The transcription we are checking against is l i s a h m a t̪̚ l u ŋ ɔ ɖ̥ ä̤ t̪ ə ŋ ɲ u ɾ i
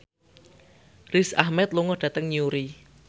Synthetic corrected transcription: r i s a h m ɛ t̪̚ l u ŋ ɔ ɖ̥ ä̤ t̪ ə ŋ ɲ u ɾ i